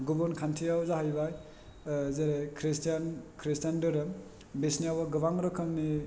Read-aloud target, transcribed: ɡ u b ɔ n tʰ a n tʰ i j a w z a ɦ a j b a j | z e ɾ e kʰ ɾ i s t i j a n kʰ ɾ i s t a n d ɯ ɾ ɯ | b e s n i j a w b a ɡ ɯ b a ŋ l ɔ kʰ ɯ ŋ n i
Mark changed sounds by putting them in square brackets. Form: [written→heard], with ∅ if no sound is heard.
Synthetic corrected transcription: ɡ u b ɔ n [tʰ→kʰ] a n tʰ i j a w z a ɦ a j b a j | z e ɾ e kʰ ɾ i s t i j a n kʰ ɾ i s t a n d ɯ ɾ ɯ | b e s n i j a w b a ɡ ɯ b a ŋ [l→ɾ] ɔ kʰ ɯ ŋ n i